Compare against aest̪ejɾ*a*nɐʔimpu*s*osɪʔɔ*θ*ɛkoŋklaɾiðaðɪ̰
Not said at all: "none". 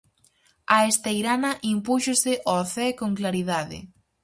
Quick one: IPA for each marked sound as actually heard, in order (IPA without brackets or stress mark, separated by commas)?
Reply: a, ʃ, θ